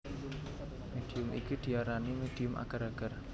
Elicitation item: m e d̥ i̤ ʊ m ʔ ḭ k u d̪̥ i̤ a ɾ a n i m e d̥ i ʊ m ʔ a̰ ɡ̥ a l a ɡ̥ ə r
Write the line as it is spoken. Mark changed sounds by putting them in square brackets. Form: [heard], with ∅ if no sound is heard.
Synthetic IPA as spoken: m e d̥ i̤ ʊ m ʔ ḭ k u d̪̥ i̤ a ɾ a n i m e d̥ i ʊ m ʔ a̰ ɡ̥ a [ɾ] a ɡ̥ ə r